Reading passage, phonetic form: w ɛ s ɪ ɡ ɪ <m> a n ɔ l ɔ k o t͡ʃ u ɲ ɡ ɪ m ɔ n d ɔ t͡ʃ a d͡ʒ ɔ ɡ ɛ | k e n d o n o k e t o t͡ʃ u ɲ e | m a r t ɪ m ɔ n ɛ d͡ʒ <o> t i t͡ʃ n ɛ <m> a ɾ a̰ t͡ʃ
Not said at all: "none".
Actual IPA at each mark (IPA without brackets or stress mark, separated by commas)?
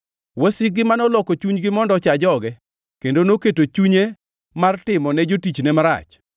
m, o, m